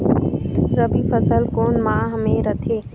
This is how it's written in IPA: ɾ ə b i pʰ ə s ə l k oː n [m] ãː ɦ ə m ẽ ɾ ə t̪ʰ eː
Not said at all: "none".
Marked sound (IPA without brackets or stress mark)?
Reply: m